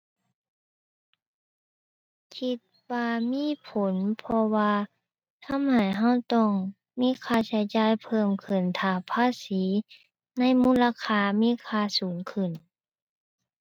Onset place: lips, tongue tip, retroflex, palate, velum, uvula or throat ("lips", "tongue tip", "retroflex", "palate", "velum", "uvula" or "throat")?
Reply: velum